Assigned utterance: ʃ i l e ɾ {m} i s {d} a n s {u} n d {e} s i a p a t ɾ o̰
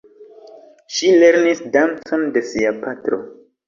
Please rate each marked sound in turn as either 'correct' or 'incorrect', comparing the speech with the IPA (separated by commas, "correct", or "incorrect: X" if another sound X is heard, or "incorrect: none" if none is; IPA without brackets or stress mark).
incorrect: n, correct, incorrect: o, correct